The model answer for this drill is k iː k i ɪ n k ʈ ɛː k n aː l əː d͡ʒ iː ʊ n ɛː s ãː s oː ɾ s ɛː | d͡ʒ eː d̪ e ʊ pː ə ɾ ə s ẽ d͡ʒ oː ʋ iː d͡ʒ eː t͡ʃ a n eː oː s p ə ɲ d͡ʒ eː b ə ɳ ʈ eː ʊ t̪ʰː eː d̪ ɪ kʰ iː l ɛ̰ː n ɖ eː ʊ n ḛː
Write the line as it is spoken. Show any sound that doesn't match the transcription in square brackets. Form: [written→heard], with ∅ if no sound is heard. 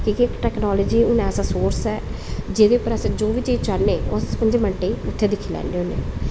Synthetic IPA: k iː k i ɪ [n→∅] k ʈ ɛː k n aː l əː d͡ʒ iː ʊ n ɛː s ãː s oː ɾ s ɛː | d͡ʒ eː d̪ e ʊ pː ə ɾ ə s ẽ d͡ʒ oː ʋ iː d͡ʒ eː t͡ʃ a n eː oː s p ə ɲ d͡ʒ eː [b→m] ə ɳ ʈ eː ʊ t̪ʰː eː d̪ ɪ kʰ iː l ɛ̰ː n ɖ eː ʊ n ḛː